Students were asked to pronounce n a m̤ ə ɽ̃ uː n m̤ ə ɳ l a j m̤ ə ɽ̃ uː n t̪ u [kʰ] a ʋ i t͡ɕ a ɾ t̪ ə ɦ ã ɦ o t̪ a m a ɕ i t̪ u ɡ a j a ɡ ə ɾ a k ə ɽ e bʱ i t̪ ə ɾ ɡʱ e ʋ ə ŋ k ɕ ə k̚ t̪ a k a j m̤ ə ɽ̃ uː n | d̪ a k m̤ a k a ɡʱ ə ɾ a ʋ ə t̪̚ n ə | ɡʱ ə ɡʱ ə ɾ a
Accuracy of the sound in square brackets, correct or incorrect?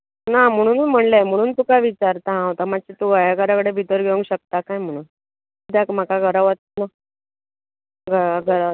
incorrect